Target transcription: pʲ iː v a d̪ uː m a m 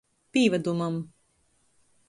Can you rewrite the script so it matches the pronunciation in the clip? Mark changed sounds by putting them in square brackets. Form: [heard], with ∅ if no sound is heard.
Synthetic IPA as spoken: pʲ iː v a d̪ [u] m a m